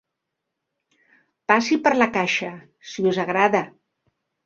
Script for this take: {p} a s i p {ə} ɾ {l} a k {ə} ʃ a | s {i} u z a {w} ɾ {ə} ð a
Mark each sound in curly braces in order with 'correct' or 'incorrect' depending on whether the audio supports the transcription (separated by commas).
correct, correct, correct, incorrect, correct, incorrect, incorrect